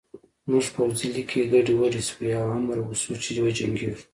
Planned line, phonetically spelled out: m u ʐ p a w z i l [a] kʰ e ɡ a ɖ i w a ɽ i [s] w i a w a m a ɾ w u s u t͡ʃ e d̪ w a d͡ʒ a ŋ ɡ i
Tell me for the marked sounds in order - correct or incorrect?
incorrect: i, correct

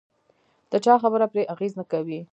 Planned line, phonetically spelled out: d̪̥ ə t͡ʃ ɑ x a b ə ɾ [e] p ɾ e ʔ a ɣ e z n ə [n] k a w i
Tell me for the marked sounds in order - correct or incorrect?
incorrect: a, incorrect: none

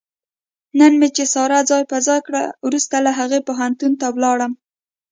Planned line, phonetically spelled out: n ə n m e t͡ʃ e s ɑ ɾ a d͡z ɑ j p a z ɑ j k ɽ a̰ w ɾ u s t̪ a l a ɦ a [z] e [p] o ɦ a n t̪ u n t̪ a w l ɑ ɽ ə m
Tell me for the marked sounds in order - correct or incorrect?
incorrect: ɣ, correct

